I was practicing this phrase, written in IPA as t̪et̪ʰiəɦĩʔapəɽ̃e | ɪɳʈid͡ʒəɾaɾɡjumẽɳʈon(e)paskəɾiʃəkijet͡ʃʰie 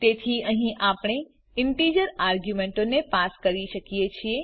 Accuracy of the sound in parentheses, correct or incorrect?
correct